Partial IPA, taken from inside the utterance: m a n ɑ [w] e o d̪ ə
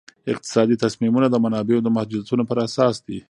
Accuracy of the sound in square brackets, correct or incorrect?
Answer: incorrect